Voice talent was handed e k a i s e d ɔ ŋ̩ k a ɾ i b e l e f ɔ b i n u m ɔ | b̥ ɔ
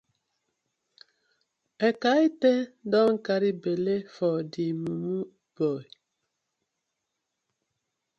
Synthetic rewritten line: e k a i t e d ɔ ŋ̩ k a ɾ i b e l e f ɔ d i m u m u | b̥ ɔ